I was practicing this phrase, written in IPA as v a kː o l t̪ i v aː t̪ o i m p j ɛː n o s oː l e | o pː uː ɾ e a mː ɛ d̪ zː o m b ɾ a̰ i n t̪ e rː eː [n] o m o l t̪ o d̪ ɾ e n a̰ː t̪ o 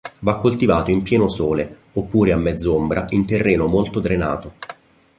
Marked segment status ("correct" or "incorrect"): correct